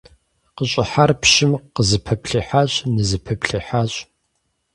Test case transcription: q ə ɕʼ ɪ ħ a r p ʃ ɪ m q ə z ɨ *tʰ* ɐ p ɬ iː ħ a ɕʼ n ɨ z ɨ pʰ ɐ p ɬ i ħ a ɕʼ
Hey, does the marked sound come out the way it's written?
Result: no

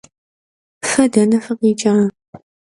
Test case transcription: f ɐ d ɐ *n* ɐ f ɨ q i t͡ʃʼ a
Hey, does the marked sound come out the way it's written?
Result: yes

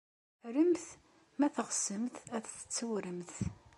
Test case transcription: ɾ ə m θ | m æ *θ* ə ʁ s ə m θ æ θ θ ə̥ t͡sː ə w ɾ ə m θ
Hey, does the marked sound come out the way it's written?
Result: yes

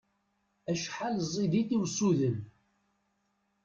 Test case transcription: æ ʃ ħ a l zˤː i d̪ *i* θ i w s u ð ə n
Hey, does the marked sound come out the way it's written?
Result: yes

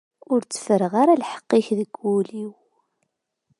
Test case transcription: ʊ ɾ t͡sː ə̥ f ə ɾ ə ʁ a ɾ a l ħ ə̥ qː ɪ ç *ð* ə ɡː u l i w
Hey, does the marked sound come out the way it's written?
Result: yes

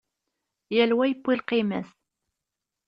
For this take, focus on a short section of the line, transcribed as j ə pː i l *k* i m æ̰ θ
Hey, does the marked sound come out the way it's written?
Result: no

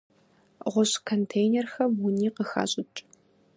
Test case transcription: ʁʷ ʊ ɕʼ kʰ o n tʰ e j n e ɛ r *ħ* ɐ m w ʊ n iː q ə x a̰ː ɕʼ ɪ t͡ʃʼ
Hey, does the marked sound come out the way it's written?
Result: no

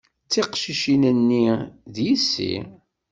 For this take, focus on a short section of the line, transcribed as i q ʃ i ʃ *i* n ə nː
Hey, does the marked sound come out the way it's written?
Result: yes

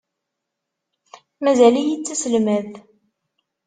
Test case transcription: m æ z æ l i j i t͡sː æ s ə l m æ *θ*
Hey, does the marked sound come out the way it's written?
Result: no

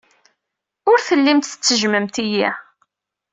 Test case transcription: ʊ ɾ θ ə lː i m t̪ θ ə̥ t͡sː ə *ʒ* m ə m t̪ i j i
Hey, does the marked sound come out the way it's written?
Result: yes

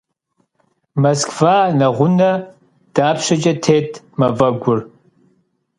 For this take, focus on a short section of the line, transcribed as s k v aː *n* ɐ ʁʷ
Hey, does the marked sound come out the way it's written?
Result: yes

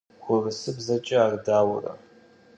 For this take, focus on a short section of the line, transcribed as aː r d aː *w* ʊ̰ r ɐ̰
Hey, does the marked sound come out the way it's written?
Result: yes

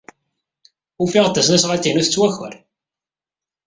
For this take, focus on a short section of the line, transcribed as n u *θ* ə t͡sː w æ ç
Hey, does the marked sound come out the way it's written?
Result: yes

